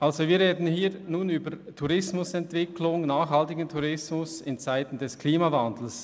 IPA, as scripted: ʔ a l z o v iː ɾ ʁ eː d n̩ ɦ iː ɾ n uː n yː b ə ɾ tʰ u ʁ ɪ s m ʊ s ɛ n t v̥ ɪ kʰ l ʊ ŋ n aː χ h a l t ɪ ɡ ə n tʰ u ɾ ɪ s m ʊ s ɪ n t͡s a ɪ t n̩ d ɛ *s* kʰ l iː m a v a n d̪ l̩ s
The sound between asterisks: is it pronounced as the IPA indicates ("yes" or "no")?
yes